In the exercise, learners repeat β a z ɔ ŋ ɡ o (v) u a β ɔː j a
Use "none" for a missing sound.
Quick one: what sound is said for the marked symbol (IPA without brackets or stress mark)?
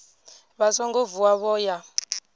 v